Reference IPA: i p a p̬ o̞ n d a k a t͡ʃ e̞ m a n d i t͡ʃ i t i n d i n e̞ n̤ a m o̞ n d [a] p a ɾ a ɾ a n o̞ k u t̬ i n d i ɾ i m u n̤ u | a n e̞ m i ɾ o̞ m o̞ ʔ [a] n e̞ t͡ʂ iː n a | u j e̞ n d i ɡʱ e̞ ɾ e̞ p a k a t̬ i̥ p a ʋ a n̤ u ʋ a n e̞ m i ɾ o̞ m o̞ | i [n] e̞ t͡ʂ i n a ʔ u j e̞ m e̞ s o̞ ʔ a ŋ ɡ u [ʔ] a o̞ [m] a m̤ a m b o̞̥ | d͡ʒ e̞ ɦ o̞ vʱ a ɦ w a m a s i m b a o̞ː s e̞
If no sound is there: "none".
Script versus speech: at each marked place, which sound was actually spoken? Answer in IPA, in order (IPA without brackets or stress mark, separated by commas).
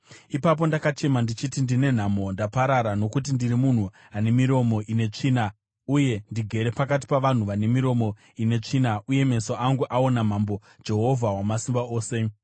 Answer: a, i, n, ʔ, n